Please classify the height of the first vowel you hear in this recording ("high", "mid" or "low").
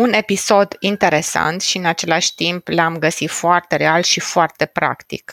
high